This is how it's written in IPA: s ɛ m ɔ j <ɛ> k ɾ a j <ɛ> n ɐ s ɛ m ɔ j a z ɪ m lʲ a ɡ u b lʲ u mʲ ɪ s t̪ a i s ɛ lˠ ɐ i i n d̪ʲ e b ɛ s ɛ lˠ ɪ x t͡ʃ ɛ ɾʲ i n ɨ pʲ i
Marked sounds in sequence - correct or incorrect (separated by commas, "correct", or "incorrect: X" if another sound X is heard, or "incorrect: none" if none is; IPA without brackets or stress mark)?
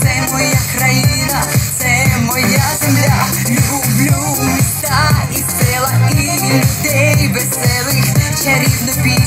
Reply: incorrect: a, incorrect: i